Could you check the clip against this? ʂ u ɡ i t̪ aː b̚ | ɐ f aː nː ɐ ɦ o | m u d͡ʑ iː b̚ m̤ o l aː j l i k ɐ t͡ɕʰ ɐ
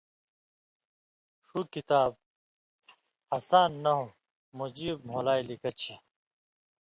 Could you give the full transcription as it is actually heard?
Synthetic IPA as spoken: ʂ u k i t̪ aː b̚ | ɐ s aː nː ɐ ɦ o | m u d͡ʑ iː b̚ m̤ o l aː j l i k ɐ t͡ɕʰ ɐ

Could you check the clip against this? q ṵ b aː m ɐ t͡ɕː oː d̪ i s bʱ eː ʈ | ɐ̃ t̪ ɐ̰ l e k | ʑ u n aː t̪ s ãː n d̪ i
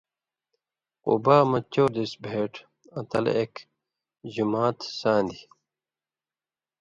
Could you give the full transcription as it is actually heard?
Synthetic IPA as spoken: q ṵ b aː m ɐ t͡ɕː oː d̪ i s bʱ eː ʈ | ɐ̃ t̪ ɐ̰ l e k | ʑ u m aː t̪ s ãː n d̪ i

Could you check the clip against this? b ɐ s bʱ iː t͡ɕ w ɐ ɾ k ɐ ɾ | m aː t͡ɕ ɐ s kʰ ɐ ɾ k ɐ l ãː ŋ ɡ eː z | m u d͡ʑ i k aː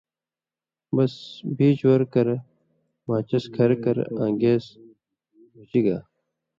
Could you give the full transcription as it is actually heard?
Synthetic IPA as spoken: b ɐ s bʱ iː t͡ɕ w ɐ ɾ k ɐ ɾ | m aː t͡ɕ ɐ s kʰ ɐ ɾ k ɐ ɾ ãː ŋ ɡ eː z | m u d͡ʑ i ɡ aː

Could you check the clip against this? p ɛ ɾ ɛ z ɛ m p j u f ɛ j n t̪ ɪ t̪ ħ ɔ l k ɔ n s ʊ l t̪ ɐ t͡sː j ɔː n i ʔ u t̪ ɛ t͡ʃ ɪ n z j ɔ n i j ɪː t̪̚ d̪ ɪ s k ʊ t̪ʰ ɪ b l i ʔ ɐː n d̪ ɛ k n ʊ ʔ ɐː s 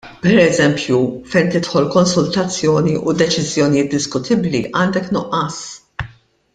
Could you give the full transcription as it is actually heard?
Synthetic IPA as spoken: p ɛ ɾ ɛ z ɛ m p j u f ɛ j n t̪ ɪ t̪ ħ ɔ l k ɔ n s ʊ l t̪ ɐ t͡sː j ɔː n i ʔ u d̪ ɛ t͡ʃ ɪ z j ɔ n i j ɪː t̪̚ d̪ ɪ s k ʊ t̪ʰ ɪ b l i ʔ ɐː n d̪ ɛ k n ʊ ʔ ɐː s

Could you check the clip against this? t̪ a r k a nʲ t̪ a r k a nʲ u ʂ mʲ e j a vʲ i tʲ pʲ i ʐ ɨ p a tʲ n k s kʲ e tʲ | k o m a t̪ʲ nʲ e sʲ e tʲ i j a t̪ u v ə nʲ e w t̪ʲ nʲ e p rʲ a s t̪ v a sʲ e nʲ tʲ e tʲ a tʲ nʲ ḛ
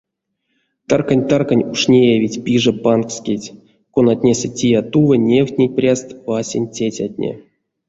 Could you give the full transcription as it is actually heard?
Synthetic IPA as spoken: t̪ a r k a nʲ t̪ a r k a nʲ u ʂ nʲ e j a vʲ i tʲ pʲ i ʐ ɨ p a n k s kʲ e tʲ | k o n a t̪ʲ nʲ e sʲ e tʲ i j a t̪ u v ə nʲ e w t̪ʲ nʲ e p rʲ a s t̪ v a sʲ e nʲ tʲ e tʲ a tʲ nʲ ḛ

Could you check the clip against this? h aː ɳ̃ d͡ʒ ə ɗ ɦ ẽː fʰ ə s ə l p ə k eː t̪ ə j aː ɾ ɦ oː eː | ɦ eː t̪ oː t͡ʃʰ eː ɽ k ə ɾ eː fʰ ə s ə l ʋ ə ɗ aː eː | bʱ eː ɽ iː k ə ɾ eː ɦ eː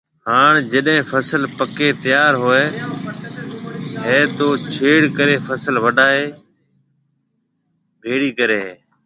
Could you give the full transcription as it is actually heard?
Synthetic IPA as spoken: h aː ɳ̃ d͡ʒ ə ɗ ɦ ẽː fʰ ə s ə l p ə k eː t̪ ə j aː ɾ ɦ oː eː | ɦ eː t̪ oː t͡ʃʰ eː ɽ k ə ɾ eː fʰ ə s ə l ʋ ə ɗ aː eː | bʱ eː ɽ iː k ə ɾ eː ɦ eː

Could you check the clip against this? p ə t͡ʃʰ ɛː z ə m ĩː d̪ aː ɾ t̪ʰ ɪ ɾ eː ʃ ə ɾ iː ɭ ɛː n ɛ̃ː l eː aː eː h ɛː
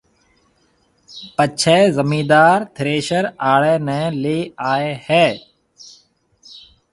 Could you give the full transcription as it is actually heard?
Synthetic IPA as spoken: p ə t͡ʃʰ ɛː z ə m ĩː d̪ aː ɾ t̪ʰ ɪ ɾ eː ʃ ə ɾ aː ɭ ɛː n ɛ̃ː l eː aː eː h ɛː

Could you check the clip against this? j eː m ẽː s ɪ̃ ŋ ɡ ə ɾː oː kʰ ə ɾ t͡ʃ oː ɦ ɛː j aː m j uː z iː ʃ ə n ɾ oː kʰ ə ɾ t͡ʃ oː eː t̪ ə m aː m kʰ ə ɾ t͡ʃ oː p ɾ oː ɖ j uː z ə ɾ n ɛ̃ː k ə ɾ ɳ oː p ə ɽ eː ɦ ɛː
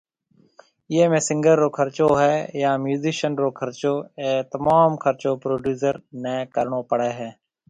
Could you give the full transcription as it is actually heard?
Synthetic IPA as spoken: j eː m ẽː s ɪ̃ ŋ ɡ ə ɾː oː kʰ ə ɾ t͡ʃ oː ɦ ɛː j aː m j uː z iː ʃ ə n ɾ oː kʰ ə ɾ t͡ʃ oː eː t̪ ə m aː m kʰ ə ɾ t͡ʃ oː p ɾ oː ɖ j uː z ə ɾ n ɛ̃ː k ə ɾ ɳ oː p ə ɽ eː ɦ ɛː

